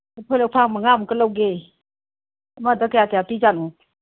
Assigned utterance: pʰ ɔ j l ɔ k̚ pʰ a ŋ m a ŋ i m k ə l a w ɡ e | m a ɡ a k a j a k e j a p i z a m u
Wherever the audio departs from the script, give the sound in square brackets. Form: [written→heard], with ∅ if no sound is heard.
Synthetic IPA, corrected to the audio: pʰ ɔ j l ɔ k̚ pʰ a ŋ m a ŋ [i→a] m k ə l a w ɡ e | m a [ɡ→d] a k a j a k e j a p i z a [m→n] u